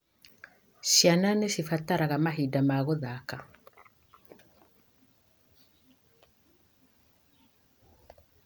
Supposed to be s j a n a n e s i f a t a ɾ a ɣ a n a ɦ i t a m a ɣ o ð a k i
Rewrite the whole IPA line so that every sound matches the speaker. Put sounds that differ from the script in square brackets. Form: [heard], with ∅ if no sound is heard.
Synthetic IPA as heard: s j a n a n e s i f a t a ɾ a ɣ a [m] a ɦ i [d] a m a ɣ o ð a k [a]